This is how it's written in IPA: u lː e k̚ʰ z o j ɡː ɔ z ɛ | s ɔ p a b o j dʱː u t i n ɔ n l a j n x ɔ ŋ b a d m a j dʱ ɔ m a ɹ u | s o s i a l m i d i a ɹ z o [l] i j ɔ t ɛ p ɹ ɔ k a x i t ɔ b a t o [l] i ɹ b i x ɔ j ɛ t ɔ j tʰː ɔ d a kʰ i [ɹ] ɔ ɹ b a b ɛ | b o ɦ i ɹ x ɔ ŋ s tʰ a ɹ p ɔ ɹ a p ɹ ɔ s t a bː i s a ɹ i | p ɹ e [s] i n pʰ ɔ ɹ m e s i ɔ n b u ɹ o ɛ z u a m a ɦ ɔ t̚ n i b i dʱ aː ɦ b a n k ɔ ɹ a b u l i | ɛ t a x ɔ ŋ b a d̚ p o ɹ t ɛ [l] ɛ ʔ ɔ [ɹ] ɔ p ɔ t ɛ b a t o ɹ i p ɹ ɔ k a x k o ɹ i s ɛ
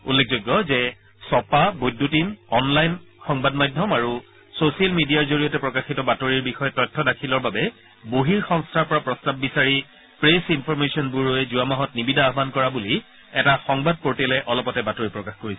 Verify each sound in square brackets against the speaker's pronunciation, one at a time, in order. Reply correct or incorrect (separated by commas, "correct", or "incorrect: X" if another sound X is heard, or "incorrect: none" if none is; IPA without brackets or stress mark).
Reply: incorrect: ɹ, incorrect: ɹ, incorrect: l, correct, correct, incorrect: l